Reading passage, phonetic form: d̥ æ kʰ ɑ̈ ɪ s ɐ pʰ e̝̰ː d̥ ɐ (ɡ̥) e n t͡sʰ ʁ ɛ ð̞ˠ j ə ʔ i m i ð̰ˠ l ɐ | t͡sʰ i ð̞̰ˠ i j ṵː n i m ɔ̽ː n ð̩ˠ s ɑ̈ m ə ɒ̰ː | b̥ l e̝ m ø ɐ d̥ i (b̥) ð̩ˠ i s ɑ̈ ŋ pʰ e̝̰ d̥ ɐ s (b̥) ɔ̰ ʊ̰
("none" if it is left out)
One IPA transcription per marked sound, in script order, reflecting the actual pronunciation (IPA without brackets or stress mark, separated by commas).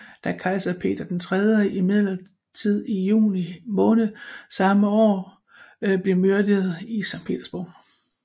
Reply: d̥, none, b̥